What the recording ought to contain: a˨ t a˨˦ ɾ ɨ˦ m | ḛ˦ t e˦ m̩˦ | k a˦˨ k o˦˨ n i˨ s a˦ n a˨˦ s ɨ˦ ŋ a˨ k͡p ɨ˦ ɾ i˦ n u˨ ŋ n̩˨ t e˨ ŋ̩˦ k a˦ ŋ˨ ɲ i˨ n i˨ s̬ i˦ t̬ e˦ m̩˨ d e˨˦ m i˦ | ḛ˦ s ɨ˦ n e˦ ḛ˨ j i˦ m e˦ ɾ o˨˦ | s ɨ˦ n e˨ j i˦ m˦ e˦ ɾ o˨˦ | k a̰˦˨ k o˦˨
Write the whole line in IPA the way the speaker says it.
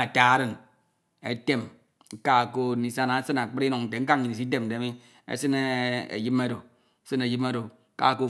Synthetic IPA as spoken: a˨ t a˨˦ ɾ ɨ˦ n | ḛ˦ t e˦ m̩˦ | k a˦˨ k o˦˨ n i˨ s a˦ n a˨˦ s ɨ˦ n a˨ k͡p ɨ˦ ɾ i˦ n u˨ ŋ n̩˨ t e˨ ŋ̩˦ k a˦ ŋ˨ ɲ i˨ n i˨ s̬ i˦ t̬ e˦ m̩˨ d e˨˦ m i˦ | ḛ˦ s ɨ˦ n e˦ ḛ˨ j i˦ m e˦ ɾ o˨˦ | s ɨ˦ n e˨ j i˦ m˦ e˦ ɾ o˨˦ | k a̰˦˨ k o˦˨